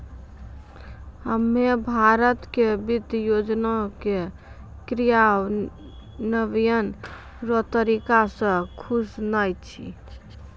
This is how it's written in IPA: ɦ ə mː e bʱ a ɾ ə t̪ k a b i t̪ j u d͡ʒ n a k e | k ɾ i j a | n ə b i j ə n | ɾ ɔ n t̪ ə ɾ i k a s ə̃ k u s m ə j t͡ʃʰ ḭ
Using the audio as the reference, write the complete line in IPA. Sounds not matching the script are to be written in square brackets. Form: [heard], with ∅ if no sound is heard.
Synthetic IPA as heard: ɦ ə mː e bʱ a ɾ ə t̪ k [e] b i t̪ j [o] d͡ʒ n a k e | k ɾ i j a | n ə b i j ə n | ɾ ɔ [∅] t̪ ə ɾ i k a s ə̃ [kʰ] u s [n] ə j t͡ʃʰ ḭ